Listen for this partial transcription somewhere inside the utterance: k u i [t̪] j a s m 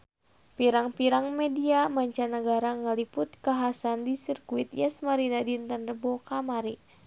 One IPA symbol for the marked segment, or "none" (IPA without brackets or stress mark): t̪